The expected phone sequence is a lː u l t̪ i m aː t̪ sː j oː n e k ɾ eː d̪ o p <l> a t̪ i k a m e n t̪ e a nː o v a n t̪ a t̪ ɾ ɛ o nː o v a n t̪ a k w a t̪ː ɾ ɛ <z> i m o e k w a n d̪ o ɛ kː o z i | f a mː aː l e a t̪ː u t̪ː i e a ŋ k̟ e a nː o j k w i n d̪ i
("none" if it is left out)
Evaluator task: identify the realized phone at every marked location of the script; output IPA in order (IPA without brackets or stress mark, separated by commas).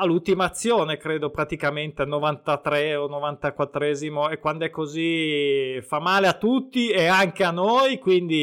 ɾ, z